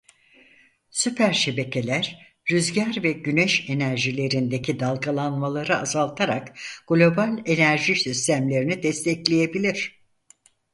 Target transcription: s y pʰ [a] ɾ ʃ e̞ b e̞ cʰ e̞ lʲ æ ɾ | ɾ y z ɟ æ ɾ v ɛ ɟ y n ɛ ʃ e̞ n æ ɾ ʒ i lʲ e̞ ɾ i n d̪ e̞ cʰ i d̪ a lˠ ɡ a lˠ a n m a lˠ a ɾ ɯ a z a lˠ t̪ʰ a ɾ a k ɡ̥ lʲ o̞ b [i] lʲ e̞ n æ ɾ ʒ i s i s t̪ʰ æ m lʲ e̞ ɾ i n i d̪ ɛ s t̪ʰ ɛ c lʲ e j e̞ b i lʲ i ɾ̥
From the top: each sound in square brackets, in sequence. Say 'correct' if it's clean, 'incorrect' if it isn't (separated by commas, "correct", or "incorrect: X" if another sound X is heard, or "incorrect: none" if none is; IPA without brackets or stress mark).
incorrect: æ, incorrect: a